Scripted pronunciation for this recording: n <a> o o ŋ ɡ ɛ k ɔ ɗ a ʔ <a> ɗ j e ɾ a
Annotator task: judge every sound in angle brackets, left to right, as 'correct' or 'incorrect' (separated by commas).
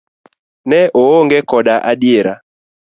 incorrect, correct